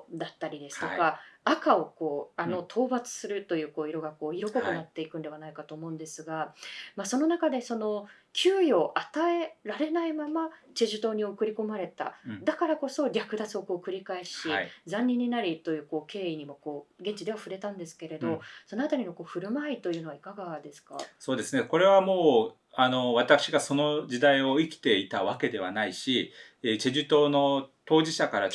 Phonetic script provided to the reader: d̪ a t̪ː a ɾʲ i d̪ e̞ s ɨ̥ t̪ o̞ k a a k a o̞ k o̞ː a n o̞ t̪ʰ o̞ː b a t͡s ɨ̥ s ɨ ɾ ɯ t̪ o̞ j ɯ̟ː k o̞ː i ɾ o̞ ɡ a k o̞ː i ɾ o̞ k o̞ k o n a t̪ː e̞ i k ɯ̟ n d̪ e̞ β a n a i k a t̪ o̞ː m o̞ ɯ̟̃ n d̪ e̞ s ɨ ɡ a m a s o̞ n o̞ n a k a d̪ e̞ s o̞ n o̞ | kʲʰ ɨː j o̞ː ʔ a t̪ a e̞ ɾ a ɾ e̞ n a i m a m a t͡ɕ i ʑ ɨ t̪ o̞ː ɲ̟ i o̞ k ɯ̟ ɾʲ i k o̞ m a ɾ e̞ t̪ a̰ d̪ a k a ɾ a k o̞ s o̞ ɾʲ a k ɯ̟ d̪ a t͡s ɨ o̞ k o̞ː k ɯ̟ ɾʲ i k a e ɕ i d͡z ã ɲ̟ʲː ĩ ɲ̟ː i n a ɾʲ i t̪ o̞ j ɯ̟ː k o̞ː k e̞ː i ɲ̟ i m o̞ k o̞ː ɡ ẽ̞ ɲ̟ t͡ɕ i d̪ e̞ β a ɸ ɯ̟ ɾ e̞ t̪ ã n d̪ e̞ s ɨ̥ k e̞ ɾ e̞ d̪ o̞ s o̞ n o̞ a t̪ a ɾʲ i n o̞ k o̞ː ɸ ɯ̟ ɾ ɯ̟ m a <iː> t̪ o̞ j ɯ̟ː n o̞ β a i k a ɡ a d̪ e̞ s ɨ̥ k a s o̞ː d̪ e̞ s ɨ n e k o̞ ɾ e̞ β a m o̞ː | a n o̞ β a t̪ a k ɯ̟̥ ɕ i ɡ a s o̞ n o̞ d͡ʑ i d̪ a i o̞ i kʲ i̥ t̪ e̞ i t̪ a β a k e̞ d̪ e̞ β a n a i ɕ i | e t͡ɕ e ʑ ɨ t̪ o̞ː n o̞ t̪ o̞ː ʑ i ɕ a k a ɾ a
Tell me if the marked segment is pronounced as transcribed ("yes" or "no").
no